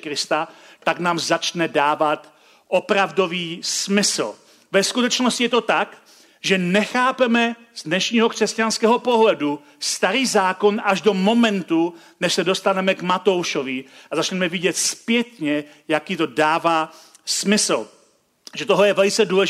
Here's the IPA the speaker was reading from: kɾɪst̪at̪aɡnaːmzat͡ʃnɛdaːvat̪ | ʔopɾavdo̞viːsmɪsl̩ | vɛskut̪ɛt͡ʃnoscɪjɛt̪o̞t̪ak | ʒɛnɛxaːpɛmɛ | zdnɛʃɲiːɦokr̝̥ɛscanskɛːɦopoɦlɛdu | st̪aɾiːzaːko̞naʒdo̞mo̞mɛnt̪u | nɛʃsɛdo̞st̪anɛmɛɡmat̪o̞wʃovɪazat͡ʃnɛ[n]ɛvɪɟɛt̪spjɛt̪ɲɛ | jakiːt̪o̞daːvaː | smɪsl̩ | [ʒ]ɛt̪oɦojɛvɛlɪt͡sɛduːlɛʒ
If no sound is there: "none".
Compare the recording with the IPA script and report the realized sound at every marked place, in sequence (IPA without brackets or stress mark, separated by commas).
m, ʒ